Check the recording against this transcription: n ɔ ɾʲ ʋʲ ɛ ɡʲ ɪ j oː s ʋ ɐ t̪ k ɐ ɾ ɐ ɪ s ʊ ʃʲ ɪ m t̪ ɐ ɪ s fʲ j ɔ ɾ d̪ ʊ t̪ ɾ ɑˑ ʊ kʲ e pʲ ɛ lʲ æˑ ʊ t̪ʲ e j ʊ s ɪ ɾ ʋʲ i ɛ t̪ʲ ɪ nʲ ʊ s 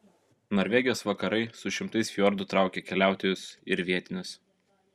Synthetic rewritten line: n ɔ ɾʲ ʋʲ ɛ ɡʲ ɪ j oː s ʋ ɐ k ɐ ɾ ɐ ɪ s ʊ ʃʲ ɪ m t̪ ɐ ɪ s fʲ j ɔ ɾ d̪ ʊ t̪ ɾ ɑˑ ʊ kʲ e kʲ ɛ lʲ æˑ ʊ t̪ʲ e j ʊ s ɪ ɾ ʋʲ i ɛ t̪ʲ ɪ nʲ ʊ s

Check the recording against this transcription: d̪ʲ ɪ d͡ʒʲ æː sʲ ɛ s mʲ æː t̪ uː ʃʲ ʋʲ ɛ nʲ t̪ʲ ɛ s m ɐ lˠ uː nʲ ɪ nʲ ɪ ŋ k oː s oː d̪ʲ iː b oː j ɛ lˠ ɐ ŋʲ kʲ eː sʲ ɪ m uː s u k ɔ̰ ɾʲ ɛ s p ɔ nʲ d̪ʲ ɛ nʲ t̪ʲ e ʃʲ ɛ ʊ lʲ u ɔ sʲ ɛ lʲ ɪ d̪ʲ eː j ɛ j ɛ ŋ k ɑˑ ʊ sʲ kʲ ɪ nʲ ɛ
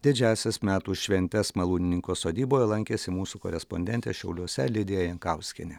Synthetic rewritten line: d̪ʲ ɪ d͡ʒʲ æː sʲ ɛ s mʲ æː t̪ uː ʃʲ ʋʲ ɛ nʲ t̪ʲ ɛ s m ɐ lˠ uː nʲ ɪ nʲ ɪ ŋ k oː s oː d̪ʲ iː b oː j ɛ lˠ ɐ ŋʲ kʲ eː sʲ ɪ m uː s u k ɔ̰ ɾʲ ɛ s p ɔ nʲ d̪ʲ ɛ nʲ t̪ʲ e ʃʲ ɛ ʊ lʲ u ɔ sʲ ɛ lʲ ɪ d̪ʲ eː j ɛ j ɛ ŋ k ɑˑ ʊ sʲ kʲ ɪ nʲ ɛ

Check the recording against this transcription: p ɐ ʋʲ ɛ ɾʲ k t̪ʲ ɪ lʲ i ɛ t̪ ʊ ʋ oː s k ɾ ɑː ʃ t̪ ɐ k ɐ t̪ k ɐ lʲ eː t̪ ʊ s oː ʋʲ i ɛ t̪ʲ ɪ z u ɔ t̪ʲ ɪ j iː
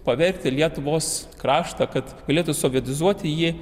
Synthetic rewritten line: p ɐ ʋʲ ɛ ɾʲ k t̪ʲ ɪ lʲ i ɛ t̪ ʊ ʋ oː s k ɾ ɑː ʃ t̪ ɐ k ɐ t̪ ɡ ɐ lʲ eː t̪ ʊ s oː ʋʲ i ɛ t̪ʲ ɪ z u ɔ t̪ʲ ɪ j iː

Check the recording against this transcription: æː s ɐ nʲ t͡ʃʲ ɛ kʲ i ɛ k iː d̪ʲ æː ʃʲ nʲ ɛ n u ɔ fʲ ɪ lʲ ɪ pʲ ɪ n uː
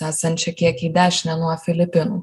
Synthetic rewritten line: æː s ɐ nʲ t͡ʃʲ ɛ kʲ i ɛ k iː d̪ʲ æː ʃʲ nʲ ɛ n u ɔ fʲ ɪ lʲ ɪ pʲ ɪ n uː

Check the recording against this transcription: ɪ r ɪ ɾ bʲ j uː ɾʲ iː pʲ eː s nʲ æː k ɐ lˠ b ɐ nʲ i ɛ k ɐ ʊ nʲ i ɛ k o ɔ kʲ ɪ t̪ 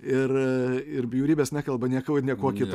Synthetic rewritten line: ɪ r ɪ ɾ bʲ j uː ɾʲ iː bʲ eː s nʲ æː k ɐ lˠ b ɐ nʲ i ɛ k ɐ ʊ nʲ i ɛ k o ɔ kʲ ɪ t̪

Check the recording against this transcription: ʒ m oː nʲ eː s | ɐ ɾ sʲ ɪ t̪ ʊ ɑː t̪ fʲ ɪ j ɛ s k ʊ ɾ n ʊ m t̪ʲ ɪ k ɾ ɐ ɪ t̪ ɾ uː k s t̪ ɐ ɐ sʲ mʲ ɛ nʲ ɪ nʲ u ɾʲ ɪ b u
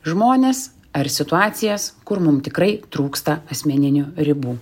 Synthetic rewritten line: ʒ m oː nʲ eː s | ɐ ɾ sʲ ɪ t̪ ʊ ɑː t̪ sʲ ɪ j ɛ s k ʊ ɾ m ʊ m t̪ʲ ɪ k ɾ ɐ ɪ t̪ ɾ uː k s t̪ ɐ ɐ sʲ mʲ ɛ nʲ ɪ nʲ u ɾʲ ɪ b uː

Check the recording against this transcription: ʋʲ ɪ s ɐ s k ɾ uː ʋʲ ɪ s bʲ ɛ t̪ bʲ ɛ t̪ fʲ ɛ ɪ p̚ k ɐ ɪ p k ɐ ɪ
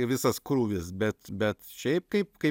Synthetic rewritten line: ʋʲ ɪ s ɐ s k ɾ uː ʋʲ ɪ s bʲ ɛ t̪ bʲ ɛ t̪ ʃʲ ɛ ɪ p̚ k ɐ ɪ p k ɐ ɪ

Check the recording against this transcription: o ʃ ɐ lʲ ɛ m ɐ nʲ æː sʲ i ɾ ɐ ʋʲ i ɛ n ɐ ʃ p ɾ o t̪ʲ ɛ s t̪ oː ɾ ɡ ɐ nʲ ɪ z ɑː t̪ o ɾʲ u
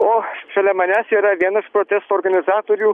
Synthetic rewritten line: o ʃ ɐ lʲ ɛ m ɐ nʲ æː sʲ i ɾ ɐ ʋʲ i ɛ n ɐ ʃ p ɾ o t̪ʲ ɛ s t̪ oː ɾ ɡ ɐ nʲ ɪ z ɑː t̪ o ɾʲ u

